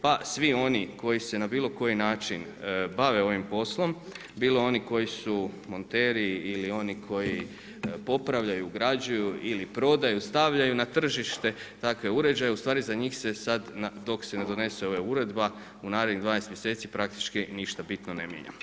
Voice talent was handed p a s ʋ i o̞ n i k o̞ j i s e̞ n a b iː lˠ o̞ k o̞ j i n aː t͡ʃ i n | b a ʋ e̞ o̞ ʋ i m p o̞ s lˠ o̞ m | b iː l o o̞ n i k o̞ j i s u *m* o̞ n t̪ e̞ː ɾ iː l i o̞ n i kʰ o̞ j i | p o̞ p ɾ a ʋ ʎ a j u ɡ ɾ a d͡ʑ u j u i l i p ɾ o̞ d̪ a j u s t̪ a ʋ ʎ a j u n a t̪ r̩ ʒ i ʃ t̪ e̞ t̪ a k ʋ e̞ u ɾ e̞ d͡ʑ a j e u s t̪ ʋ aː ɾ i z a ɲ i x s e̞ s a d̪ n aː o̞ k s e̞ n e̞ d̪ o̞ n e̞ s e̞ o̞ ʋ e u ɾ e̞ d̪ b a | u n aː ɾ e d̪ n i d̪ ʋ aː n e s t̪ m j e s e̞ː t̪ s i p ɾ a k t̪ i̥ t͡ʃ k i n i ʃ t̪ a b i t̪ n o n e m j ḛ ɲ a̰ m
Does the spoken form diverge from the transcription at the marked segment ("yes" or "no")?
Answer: no